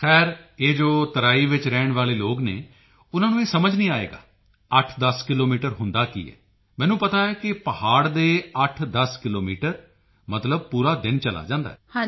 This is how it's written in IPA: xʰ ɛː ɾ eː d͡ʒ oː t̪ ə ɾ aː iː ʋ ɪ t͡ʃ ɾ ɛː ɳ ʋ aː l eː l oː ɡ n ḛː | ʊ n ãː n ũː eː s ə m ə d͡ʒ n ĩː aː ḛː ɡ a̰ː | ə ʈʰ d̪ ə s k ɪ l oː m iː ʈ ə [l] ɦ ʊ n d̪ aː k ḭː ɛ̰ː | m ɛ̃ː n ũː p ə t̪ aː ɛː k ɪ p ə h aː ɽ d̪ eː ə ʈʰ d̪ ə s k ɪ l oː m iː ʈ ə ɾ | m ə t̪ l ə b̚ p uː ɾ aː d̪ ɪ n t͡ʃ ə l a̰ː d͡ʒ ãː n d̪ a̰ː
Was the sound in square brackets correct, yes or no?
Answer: no